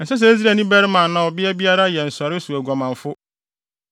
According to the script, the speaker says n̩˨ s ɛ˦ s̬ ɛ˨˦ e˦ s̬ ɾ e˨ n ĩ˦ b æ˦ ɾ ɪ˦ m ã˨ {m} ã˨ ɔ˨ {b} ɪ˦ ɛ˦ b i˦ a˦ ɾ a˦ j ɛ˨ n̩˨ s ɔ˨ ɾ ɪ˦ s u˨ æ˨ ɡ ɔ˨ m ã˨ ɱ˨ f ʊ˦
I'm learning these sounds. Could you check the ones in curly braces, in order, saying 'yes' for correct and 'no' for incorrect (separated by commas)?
no, yes